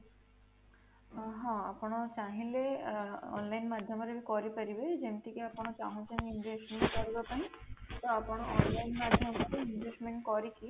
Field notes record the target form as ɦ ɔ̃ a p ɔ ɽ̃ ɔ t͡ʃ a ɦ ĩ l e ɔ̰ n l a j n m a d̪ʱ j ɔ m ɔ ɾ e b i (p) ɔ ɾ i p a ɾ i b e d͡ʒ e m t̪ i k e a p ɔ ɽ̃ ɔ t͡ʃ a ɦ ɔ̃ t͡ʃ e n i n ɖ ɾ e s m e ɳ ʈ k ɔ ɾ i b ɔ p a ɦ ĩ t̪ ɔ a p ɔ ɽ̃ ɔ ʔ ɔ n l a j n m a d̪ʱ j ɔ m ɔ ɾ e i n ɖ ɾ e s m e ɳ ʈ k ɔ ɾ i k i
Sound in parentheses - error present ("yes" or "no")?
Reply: yes